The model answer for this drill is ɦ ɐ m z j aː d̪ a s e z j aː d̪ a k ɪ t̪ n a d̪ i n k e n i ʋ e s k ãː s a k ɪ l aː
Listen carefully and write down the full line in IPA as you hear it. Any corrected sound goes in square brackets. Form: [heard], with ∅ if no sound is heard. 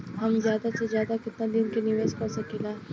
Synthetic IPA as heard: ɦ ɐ m z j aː d̪ a s e z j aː d̪ a k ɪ t̪ n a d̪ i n k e n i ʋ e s k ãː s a k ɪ l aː